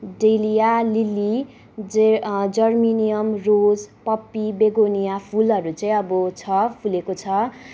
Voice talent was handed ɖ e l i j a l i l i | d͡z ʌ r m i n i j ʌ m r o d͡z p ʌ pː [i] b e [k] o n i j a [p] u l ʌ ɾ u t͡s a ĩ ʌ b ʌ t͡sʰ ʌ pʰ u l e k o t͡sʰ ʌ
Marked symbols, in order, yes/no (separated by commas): yes, no, no